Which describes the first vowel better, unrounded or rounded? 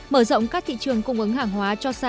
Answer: unrounded